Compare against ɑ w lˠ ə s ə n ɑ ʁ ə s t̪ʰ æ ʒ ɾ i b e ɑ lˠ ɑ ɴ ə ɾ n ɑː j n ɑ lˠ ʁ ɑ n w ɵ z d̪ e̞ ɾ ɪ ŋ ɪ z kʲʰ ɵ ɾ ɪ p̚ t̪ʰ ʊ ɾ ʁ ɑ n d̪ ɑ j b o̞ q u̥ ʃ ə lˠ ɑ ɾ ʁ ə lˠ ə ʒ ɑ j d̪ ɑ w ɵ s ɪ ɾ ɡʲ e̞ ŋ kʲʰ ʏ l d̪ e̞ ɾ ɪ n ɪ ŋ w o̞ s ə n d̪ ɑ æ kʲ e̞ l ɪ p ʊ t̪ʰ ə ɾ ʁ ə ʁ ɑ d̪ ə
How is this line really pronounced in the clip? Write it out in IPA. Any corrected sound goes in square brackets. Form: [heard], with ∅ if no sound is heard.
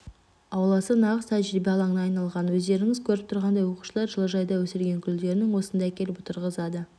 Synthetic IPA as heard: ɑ w lˠ [ɑ] s ə n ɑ ʁ ə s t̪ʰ æ ʒ ɾ i b e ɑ lˠ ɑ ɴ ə [∅] n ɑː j n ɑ lˠ ʁ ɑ n w ɵ z d̪ e̞ ɾ ɪ ŋ ɪ z kʲʰ ɵ ɾ ɪ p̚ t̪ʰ ʊ ɾ ʁ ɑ n d̪ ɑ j [w] o̞ q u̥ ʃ ə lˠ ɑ ɾ [ʒ] ə lˠ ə ʒ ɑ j d̪ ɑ w ɵ s ɪ ɾ ɡʲ e̞ ŋ kʲʰ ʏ l d̪ e̞ ɾ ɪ n ɪ ŋ w o̞ s ə n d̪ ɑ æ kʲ e̞ l ɪ p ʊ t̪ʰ ə ɾ ʁ ə [z] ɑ d̪ ə

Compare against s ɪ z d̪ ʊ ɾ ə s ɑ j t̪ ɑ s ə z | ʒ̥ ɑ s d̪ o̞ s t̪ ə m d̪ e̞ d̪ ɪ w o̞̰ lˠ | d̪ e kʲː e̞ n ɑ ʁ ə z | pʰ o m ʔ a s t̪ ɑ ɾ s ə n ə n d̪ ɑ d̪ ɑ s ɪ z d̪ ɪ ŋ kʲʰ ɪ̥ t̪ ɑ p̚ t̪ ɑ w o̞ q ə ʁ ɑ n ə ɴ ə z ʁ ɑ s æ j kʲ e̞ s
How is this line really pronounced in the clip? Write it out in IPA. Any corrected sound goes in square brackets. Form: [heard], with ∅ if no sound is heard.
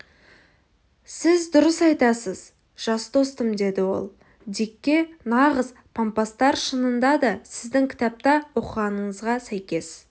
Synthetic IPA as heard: s ɪ z d̪ ʊ ɾ ə s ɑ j t̪ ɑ s ə z | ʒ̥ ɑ s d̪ o̞ s t̪ ə m d̪ e̞ d̪ ɪ w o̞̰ lˠ | d̪ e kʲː e̞ n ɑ ʁ ə z | pʰ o m [p] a s t̪ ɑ ɾ [ʃ] ə n ə n d̪ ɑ d̪ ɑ s ɪ z d̪ ɪ ŋ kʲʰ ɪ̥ t̪ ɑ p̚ t̪ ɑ w o̞ q ə ʁ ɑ n ə ɴ ə z ʁ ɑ s æ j kʲ e̞ s

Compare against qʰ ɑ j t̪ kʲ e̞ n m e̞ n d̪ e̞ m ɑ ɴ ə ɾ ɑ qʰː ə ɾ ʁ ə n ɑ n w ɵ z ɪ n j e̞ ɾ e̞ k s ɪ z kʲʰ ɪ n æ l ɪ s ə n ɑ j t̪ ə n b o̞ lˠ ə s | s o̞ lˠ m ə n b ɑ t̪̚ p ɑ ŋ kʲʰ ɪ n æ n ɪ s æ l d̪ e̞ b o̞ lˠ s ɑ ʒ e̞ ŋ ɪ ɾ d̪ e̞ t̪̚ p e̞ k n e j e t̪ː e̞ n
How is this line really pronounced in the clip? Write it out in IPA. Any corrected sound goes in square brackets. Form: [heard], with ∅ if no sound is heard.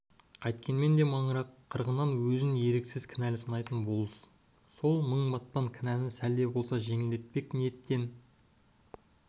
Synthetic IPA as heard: qʰ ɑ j t̪ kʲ e̞ n m e̞ n d̪ e̞ m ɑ ɴ ə ɾ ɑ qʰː ə ɾ ʁ ə n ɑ n w ɵ z ɪ n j e̞ ɾ e̞ k s ɪ z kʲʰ ɪ n æ l ɪ s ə n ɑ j t̪ ə n b o̞ lˠ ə s | s o̞ lˠ m ə [ɴ] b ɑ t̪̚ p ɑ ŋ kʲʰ ɪ n æ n ɪ s æ l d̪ e̞ b o̞ lˠ s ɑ ʒ e̞ ŋ ɪ [l] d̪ e̞ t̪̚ p e̞ k n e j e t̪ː e̞ n

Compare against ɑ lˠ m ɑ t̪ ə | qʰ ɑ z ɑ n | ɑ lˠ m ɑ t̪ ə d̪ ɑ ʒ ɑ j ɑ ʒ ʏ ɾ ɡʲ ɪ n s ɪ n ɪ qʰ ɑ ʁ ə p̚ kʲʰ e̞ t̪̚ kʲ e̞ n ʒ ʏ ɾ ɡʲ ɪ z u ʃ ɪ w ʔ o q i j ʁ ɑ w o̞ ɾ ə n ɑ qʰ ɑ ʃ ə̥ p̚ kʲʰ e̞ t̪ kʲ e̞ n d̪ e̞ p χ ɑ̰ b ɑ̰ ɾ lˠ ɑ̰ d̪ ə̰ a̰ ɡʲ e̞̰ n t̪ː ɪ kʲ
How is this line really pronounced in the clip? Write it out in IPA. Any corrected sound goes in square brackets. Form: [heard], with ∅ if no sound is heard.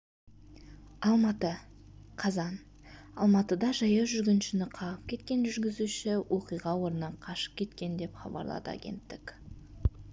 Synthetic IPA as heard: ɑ lˠ m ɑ t̪ ə | qʰ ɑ z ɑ n | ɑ lˠ m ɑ t̪ ə d̪ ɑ ʒ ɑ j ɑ ʒ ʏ ɾ ɡʲ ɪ n [ʃ] ɪ n ɪ qʰ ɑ ʁ ə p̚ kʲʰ e̞ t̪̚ kʲ e̞ n ʒ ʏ ɾ ɡʲ ɪ z u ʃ ɪ w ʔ o q i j ʁ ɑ w o̞ ɾ ə n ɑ qʰ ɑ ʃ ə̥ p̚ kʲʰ e̞ t̪ kʲ e̞ n d̪ e̞ p χ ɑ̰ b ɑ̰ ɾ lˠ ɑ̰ d̪ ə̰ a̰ ɡʲ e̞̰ n t̪ː ɪ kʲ

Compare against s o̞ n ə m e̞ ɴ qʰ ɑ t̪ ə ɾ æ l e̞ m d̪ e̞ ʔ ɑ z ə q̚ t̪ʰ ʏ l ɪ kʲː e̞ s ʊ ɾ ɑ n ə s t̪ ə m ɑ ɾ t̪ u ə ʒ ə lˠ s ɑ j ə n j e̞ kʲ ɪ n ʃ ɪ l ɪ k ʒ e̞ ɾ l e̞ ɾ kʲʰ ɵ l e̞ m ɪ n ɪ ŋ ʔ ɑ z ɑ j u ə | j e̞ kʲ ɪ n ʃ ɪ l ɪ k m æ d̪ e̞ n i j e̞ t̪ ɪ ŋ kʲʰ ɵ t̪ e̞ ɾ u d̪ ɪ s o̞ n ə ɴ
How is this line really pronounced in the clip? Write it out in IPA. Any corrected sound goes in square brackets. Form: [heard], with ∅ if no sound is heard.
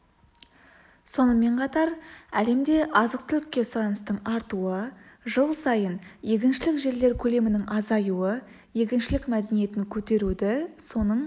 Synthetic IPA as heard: s o̞ n ə m e̞ ɴ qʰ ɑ t̪ [ɑ] ɾ æ l e̞ m d̪ e̞ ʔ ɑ z ə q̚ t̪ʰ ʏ l ɪ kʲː e̞ s ʊ ɾ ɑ n ə s t̪ ə [ɴ] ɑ ɾ t̪ u ə ʒ ə lˠ s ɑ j ə n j e̞ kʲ ɪ n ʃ ɪ l ɪ k ʒ e̞ ɾ l e̞ ɾ kʲʰ ɵ l e̞ m ɪ n ɪ ŋ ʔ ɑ z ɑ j u ə | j e̞ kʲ ɪ n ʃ ɪ l ɪ k m æ d̪ e̞ n i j e̞ t̪ ɪ ŋ kʲʰ ɵ t̪ e̞ ɾ u d̪ ɪ s o̞ n ə ɴ

